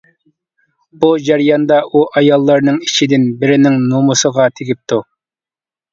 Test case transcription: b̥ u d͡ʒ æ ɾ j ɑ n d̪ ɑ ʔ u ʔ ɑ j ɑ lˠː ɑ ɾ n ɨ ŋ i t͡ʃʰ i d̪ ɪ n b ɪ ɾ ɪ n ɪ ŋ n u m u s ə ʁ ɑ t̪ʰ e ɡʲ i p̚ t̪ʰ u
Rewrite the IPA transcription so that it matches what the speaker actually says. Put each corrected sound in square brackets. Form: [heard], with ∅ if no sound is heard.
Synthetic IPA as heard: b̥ u d͡ʒ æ ɾ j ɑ n d̪ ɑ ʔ u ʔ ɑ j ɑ lˠː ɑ ɾ n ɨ ŋ i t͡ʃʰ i d̪ ɪ n b ɪ ɾ ɪ n ɪ ŋ n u m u s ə ʁ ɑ t̪ʰ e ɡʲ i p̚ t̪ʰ u